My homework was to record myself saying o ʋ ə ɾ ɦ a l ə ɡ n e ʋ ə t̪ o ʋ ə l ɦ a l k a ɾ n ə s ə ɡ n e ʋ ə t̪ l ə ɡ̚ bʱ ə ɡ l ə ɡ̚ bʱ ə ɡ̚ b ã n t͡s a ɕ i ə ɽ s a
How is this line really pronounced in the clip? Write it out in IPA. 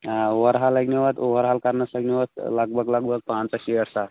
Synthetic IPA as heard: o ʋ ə ɾ ɦ a l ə ɡ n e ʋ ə t̪ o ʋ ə ɾ ɦ a l k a ɾ n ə s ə ɡ n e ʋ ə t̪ l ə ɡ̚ bʱ ə ɡ l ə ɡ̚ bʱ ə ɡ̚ p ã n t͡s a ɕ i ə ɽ s a